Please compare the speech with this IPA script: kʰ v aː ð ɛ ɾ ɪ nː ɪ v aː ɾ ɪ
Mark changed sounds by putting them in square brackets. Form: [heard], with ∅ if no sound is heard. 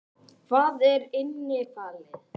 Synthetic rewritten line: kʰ v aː ð ɛ ɾ ɪ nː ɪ [f] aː [l] ɪ